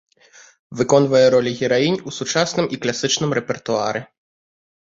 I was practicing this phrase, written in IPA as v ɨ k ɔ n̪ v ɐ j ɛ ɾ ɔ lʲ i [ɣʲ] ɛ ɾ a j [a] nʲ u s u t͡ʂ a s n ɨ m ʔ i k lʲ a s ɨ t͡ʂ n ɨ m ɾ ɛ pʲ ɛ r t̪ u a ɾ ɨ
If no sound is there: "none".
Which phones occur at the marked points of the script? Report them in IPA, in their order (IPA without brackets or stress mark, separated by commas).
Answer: ɣʲ, i